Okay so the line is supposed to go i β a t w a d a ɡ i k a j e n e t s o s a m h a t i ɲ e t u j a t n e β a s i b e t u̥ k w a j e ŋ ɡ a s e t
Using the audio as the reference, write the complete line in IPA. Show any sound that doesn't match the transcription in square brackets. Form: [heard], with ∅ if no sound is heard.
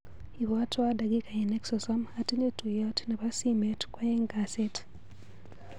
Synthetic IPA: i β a t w a d a ɡ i k a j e n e [k] s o s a m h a t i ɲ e t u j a t n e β a s i [m] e t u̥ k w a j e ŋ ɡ a s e t